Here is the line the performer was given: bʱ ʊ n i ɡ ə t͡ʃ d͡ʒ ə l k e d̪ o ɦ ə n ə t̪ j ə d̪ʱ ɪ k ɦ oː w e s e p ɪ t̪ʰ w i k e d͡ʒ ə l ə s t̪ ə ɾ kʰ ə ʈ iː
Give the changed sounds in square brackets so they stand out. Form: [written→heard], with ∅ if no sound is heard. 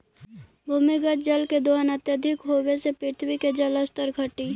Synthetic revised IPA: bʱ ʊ [n→m] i ɡ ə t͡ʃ d͡ʒ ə l k e d̪ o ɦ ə n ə t̪ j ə d̪ʱ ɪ k ɦ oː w e s e p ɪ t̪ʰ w i k e d͡ʒ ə l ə s t̪ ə ɾ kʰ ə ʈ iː